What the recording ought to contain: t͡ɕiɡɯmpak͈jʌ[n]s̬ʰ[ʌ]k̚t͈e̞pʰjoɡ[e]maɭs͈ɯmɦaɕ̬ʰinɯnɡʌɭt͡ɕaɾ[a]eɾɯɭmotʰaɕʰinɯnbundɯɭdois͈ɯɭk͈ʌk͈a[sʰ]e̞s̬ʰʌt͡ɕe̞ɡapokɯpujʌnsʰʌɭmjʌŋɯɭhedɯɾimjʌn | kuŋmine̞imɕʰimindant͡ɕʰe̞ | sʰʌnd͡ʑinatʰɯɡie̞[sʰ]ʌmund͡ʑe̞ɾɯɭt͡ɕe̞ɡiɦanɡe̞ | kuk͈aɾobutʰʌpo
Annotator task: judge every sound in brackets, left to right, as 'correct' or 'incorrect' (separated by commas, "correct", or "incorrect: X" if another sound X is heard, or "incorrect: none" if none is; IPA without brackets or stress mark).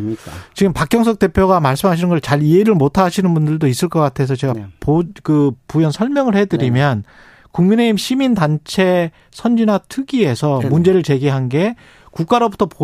incorrect: ŋ, correct, incorrect: a, incorrect: i, incorrect: tʰ, correct